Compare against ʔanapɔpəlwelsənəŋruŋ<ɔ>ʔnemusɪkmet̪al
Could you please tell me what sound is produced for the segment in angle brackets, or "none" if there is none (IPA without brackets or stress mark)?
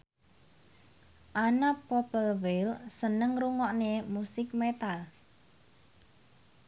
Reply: ɔ